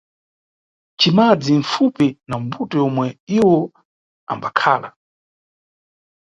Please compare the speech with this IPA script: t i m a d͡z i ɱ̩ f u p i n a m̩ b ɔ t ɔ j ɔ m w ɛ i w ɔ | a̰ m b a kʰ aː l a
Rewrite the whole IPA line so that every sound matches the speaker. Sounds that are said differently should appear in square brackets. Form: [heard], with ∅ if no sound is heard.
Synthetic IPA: [t͡ʃ] i m a d͡z i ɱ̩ f u p i n a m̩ b [u] t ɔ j ɔ m w ɛ i w ɔ | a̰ m b a kʰ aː l a